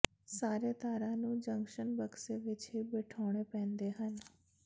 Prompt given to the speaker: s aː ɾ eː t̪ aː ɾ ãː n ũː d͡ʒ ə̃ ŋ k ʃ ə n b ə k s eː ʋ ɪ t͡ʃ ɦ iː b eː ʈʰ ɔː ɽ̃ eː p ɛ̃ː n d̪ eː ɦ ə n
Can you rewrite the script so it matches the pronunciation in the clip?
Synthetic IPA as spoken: s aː ɾ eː t̪ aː ɾ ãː n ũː d͡ʒ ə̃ ŋ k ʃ ə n b ə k s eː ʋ ɪ t͡ʃ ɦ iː b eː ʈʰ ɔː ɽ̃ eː p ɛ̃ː n d̪ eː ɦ ə n